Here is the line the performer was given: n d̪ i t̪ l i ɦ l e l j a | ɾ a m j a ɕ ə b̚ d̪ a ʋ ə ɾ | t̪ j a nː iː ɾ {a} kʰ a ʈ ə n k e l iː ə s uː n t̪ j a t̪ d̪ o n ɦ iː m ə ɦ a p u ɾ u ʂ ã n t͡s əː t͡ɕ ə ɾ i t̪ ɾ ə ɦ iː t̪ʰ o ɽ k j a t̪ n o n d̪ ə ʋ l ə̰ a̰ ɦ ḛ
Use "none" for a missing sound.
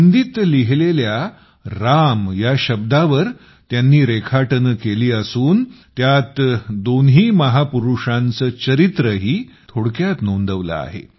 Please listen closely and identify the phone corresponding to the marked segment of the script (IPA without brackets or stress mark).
e